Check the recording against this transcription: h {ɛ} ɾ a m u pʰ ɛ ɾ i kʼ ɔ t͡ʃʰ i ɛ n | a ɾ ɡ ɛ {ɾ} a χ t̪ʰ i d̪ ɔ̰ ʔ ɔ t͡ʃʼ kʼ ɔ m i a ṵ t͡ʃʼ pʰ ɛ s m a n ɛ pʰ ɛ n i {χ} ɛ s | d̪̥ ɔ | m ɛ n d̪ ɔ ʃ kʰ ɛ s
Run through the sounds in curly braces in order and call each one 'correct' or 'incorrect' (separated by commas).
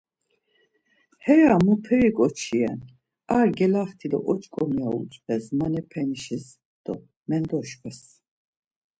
correct, incorrect, incorrect